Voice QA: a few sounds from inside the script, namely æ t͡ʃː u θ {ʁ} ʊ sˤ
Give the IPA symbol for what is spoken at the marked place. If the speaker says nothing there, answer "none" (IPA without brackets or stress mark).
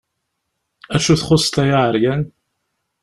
χ